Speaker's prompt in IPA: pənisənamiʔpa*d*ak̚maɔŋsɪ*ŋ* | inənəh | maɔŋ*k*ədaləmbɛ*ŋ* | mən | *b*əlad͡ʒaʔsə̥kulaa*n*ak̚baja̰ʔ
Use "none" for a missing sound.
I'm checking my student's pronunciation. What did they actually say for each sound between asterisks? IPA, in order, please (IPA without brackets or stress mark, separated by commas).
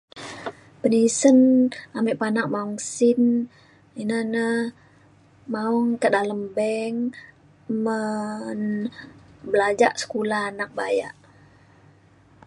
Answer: n, n, k, ŋ, b, n